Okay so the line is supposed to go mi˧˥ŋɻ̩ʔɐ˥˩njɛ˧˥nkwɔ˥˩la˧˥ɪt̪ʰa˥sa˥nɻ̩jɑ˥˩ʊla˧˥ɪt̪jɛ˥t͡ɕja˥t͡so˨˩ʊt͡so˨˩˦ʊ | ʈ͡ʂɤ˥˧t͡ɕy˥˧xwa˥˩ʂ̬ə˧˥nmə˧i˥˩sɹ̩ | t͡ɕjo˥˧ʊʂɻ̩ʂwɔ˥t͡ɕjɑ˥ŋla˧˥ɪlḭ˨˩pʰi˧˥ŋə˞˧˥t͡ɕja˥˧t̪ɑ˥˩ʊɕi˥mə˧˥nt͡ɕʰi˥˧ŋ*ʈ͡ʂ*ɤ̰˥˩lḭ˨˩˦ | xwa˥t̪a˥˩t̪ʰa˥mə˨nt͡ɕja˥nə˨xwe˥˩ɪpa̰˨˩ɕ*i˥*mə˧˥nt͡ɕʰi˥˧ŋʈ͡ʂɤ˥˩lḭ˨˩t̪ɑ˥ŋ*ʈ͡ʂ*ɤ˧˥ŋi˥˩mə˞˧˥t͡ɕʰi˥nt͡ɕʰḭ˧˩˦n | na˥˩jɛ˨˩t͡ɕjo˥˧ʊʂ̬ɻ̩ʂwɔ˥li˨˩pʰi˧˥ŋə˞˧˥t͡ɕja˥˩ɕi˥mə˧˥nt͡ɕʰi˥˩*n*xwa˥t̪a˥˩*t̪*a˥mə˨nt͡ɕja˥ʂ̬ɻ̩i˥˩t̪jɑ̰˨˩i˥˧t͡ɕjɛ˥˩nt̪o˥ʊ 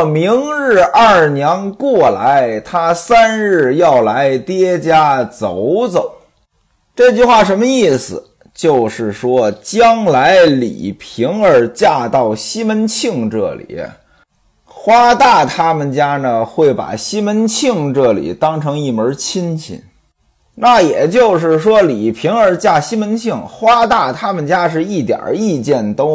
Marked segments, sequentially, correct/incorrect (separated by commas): correct, correct, incorrect, incorrect, incorrect